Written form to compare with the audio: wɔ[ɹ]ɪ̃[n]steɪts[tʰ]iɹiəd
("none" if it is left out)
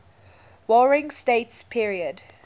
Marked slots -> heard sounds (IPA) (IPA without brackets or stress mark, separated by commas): ɹ, ŋ, pʰ